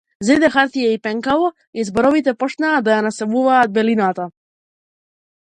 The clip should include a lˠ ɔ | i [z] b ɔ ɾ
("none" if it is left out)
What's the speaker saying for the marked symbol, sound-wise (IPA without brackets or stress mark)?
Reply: z